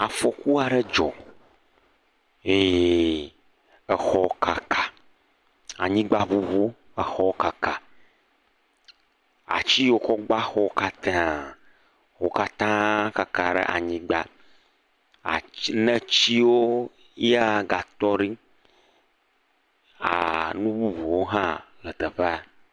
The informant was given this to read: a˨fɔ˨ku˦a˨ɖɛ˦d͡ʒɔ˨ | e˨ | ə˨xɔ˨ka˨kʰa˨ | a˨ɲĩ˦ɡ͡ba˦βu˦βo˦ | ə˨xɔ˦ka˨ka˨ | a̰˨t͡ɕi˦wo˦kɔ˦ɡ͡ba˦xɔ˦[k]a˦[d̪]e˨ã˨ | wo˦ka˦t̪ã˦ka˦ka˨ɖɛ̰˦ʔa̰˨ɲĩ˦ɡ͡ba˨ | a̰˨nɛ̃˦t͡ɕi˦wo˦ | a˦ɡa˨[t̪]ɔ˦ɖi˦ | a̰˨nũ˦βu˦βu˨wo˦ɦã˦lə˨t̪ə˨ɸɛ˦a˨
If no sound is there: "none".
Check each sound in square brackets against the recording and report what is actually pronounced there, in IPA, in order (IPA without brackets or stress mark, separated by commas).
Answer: k, t̪, t̪